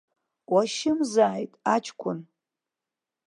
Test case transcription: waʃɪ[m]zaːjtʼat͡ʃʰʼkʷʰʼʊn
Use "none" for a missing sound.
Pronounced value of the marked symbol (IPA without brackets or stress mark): m